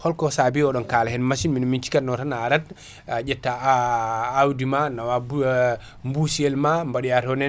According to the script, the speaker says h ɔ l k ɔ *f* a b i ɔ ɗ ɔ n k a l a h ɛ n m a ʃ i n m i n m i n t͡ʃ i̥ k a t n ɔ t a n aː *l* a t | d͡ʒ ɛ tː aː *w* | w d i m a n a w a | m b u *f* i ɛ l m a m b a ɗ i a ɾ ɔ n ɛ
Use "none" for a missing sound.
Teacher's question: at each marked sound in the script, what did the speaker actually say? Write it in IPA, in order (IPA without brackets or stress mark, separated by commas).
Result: s, ɾ, none, s